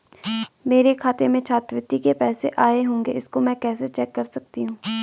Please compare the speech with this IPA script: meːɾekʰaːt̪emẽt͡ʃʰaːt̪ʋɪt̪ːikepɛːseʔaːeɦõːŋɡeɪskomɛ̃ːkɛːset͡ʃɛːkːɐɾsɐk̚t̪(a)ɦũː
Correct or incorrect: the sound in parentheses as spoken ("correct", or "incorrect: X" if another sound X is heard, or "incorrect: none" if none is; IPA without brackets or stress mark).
incorrect: i